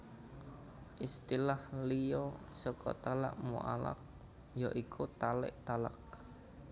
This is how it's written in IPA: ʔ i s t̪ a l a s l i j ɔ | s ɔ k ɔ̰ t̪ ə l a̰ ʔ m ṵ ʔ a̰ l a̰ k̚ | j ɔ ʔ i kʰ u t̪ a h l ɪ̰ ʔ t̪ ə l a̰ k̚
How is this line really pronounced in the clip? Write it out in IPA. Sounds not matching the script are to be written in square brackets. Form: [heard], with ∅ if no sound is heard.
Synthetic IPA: ʔ i s t̪ [i] l a [h] l i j ɔ | s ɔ k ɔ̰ t̪ [a] l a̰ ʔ m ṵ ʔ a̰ l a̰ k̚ | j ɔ ʔ i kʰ u t̪ a [∅] l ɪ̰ ʔ t̪ [a] l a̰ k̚